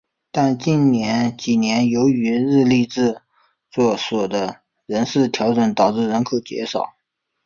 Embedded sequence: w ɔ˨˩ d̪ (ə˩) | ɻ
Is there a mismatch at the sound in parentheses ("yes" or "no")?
yes